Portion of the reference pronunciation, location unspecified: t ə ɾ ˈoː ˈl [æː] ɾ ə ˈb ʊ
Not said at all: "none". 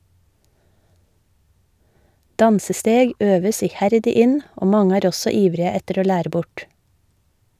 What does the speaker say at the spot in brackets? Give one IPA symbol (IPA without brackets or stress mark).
æː